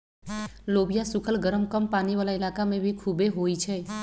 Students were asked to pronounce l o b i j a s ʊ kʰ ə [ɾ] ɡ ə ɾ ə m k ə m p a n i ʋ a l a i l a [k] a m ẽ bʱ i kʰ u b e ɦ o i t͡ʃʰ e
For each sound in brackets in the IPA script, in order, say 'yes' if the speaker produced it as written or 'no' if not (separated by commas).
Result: no, yes